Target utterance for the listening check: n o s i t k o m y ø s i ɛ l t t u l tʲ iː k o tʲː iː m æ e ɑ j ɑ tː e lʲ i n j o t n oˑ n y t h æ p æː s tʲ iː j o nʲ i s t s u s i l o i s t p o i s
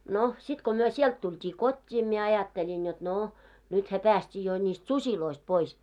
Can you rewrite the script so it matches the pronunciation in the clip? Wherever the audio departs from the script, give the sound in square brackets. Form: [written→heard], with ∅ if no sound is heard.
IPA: n o s i t k o m y ø s i ɛ l t t u l tʲ iː k o tʲː iː m [æ→i] e ɑ j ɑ tː e lʲ i n j o t n oˑ n y t h æ p æː s tʲ iː j o nʲ i s t s u s i l o i s t p o i s